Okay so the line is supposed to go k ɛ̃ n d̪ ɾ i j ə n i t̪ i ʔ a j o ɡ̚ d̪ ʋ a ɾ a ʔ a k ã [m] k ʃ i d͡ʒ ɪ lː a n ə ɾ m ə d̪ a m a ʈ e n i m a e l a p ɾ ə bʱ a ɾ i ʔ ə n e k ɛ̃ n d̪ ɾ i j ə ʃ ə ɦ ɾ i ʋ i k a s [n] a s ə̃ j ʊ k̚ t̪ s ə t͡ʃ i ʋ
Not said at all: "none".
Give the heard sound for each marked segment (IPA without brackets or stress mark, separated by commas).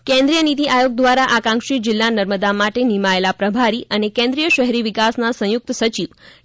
ŋ, n